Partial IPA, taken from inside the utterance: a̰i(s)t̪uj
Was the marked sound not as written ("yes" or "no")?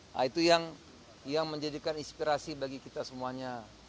yes